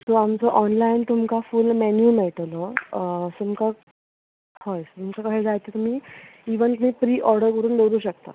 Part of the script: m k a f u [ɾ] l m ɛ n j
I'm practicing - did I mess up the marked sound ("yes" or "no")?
yes